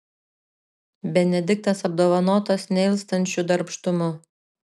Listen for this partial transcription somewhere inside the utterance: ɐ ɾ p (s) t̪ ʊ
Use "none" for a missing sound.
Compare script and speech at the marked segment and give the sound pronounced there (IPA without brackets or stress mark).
ʃ